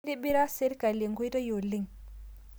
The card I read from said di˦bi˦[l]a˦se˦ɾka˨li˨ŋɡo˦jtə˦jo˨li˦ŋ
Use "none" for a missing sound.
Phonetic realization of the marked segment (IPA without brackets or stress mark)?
ɾ